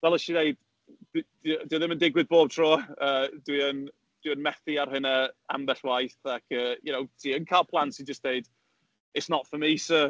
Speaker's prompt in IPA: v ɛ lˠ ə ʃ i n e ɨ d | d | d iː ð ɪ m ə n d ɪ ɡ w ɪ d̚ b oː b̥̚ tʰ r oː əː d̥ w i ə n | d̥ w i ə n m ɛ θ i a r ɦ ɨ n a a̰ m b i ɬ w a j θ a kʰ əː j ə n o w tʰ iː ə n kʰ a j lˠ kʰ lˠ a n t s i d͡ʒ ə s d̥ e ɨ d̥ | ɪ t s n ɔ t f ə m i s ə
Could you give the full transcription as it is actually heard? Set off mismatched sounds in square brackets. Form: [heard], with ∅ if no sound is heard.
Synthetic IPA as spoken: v ɛ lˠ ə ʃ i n e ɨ d | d | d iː ð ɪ m ə n d ɪ ɡ w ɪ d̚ b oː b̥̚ tʰ r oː əː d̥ w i ə n | d̥ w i ə n m ɛ θ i a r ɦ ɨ n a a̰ m b [ɛ] ɬ w a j θ a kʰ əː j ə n o w tʰ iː ə n kʰ a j lˠ [pʰ] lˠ a n t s i d͡ʒ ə s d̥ e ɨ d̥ | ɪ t s n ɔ t f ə m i s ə